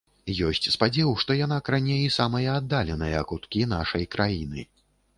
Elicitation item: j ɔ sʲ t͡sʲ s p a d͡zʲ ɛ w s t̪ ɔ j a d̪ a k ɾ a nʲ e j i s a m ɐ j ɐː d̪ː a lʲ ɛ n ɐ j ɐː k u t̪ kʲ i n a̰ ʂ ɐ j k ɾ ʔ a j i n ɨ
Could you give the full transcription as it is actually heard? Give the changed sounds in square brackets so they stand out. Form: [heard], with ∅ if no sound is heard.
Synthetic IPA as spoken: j ɔ sʲ t͡sʲ s p a d͡zʲ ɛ w [ʂ] t̪ ɔ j a [n̪] a k ɾ a nʲ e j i s a m ɐ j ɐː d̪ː a lʲ ɛ n ɐ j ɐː k u t̪ kʲ i n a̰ ʂ ɐ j k ɾ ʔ a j i n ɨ